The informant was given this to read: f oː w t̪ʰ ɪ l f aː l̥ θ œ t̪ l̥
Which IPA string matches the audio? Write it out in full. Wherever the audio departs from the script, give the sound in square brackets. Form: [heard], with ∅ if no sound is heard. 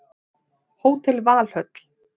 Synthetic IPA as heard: [h] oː w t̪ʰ ɪ l [v] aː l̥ [h] œ t̪ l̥